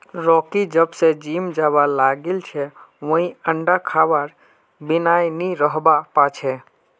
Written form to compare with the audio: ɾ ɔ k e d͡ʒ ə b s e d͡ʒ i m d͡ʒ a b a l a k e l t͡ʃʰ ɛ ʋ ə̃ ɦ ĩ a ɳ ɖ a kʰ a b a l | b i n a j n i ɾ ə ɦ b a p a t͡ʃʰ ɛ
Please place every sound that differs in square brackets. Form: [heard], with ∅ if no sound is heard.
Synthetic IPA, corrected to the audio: ɾ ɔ k [i] d͡ʒ ə b s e d͡ʒ i m d͡ʒ a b a l a [ɡ] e l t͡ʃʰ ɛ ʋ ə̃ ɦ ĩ [ə] ɳ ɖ a kʰ a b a [ɾ] | b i n a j n i ɾ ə ɦ b a p a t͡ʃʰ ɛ